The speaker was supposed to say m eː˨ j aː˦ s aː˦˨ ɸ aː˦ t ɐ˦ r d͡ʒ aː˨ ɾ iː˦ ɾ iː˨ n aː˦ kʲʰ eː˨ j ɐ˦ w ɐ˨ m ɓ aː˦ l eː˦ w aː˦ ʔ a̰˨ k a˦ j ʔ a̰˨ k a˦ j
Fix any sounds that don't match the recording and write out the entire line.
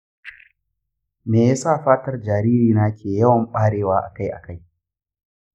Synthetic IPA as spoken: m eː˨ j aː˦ s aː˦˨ ɸ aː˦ t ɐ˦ r d͡ʒ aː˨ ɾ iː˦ ɾ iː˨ n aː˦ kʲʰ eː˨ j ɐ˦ w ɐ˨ m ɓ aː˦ ɽ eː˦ w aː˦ ʔ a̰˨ k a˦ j ʔ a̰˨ k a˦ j